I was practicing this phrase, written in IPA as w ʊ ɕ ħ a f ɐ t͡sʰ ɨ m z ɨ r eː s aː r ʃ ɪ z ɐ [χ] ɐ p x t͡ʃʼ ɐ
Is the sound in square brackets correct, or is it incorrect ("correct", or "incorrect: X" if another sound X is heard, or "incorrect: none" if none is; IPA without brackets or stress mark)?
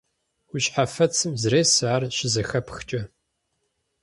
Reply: incorrect: x